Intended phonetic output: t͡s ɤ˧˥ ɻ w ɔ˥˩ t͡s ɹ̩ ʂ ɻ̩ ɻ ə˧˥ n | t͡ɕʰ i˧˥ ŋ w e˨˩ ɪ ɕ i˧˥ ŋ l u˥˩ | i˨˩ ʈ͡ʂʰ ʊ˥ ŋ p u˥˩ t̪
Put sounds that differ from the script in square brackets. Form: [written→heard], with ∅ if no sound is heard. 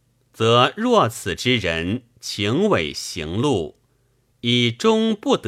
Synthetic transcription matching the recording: t͡s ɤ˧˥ ɻ w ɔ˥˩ [t͡s→t͡sʰ] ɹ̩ [ʂ→ʈ͡ʂ] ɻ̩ ɻ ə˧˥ n | t͡ɕʰ i˧˥ ŋ w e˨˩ ɪ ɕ i˧˥ ŋ l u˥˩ | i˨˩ [ʈ͡ʂʰ→ʈ͡ʂ] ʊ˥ ŋ p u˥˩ t̪